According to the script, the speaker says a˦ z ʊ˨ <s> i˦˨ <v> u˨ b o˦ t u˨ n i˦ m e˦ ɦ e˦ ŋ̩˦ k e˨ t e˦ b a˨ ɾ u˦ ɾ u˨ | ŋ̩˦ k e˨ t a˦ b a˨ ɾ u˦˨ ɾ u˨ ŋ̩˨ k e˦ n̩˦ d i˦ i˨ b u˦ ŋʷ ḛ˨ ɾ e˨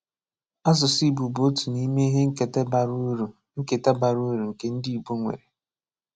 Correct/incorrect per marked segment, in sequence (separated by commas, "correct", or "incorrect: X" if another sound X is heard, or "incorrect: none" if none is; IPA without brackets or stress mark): correct, incorrect: b